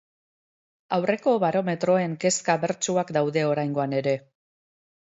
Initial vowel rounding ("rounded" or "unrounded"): unrounded